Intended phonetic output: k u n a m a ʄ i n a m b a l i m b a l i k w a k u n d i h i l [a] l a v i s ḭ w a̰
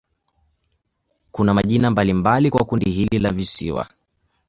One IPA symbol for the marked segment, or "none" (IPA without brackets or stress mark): i